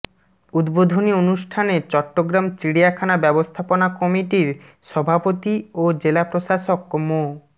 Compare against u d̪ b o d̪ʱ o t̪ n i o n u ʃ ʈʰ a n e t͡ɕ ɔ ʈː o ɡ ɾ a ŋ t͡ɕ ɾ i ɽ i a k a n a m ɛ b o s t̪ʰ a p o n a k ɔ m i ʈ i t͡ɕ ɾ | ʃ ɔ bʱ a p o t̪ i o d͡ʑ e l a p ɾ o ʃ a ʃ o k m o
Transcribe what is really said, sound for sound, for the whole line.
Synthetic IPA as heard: u d̪ b o d̪ʱ o n i o n u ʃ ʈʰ a n e t͡ɕ ɔ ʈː o ɡ ɾ a m t͡ɕ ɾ i ɽ i a kʰ a n a b ɛ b o s t̪ʰ a p o n a k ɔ m i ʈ i ɾ | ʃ ɔ bʱ a p o t̪ i o d͡ʑ e l a p ɾ o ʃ a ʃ o k m o

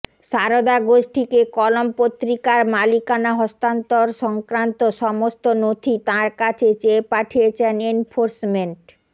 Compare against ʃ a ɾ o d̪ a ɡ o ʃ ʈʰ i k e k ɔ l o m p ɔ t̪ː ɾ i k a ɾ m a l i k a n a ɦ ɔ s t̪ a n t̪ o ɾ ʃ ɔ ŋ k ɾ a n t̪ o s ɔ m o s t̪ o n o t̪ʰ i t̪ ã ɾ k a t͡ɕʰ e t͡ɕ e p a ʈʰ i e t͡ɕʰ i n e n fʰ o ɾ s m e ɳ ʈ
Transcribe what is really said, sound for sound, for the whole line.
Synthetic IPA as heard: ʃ a ɾ o d̪ a ɡ o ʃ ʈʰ i k e k ɔ l o m p o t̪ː ɾ i k a ɾ m a l i k a n a ɦ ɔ s t̪ a n t̪ o ɾ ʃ ɔ ŋ k ɾ a n t̪ o ʃ ɔ m o s t̪ o n o t̪ʰ i t̪ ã ɾ k a t͡ɕʰ e t͡ɕ e p a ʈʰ i e t͡ɕʰ e n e n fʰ o ɾ s m e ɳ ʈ

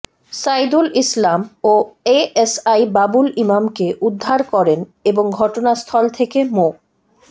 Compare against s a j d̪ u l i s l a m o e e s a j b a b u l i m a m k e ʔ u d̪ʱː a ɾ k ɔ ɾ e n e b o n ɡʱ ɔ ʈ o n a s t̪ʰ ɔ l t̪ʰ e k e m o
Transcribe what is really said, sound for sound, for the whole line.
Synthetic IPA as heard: s a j d̪ u l i s l a m o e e s a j b a b u l i m a m k e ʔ u d̪ʱː a ɾ k ɔ ɾ e n e b o ŋ ɡʱ ɔ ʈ o n a s t̪ʰ ɔ l t̪ʰ e k e m o

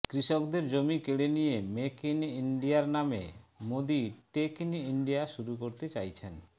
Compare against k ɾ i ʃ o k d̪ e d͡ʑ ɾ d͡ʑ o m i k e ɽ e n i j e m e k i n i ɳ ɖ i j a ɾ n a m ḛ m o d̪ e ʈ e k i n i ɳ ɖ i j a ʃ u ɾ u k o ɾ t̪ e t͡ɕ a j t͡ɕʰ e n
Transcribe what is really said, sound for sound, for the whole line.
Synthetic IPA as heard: k ɾ i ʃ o k d̪ e ɾ d͡ʑ o m i k e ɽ e n i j e m e k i n i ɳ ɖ i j a ɾ n a m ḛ m o d̪ i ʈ e k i n i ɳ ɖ i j a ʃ u ɾ u k o ɾ t̪ e t͡ɕ a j t͡ɕʰ e n

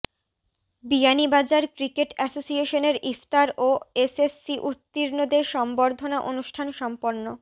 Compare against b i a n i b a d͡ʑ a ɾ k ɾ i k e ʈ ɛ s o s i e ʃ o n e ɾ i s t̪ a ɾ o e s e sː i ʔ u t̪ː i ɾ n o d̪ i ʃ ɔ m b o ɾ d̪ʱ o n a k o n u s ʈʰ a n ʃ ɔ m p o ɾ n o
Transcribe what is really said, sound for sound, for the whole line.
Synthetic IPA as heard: b i a n i b a d͡ʑ a ɾ k ɾ i k e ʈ ɛ s o s i e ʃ o n e ɾ i f t̪ a ɾ o e s e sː i ʔ u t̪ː i ɾ n o d̪ e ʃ ɔ m b o ɾ d̪ʱ o n a ʔ o n u ʃ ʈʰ a n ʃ ɔ m p o ɾ n o

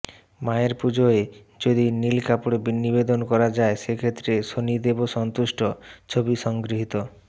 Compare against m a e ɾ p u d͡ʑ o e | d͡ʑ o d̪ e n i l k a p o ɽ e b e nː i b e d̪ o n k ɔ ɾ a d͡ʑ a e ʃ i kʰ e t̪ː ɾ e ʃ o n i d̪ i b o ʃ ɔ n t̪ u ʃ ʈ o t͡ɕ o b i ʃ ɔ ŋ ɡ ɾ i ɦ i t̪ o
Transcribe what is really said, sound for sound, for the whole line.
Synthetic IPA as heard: m a e ɾ p u d͡ʑ o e | d͡ʑ o d̪ i n i l k a p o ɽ e b i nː i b e d̪ o n k ɔ ɾ a d͡ʑ a e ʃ e kʰ e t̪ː ɾ e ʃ o n i d̪ e b o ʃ ɔ n t̪ u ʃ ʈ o t͡ɕʰ o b i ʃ ɔ ŋ ɡ ɾ i ɦ i t̪ o

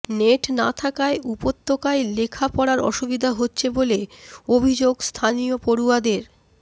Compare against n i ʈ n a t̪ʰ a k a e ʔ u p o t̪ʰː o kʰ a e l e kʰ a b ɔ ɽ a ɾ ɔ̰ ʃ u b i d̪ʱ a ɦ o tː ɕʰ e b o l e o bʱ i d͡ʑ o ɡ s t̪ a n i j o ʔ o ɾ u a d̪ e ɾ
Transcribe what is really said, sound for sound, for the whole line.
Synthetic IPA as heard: n e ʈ n a t̪ʰ a k a e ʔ u p o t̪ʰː o k a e l e kʰ a p ɔ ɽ a ɾ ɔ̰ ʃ u b i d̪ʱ a ɦ o tː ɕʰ e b o l e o bʱ i d͡ʑ o ɡ s t̪ʰ a n i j o p o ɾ u a d̪ e ɾ

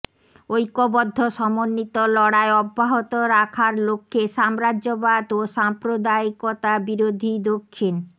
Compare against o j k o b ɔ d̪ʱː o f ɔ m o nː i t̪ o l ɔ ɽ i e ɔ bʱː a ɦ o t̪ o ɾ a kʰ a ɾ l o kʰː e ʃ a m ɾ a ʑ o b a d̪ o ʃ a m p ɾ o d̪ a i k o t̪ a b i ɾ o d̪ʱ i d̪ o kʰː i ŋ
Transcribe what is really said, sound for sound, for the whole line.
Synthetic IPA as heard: o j k o b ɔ d̪ʱː o ʃ ɔ m o nː i t̪ o l ɔ ɽ a e ɔ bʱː a ɦ o t̪ o ɾ a kʰ a ɾ l o kʰː e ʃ a m ɾ a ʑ o b a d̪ o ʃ a m p ɾ o d̪ a i k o t̪ a b i ɾ o d̪ʱ i d̪ o kʰː i n

